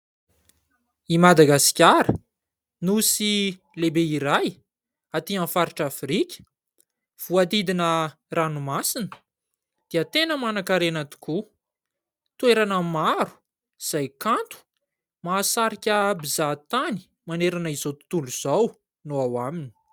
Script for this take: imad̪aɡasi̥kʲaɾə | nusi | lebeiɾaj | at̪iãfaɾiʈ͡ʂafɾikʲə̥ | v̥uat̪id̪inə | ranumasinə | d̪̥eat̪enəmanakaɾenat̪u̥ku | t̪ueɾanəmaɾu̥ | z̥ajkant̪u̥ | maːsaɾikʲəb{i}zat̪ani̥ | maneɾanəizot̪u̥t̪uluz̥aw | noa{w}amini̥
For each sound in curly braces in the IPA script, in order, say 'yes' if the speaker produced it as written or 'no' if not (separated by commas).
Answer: yes, yes